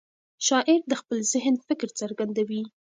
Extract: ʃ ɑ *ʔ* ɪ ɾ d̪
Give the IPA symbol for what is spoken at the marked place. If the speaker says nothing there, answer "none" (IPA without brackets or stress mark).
ʔ